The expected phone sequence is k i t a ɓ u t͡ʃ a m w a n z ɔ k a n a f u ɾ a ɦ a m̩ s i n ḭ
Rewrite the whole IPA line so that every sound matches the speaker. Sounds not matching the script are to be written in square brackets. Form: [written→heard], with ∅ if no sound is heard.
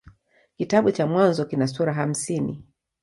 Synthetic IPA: k i t a ɓ u t͡ʃ a m w a n z ɔ k [a→i] n a [f→s] u ɾ a ɦ a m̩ s i n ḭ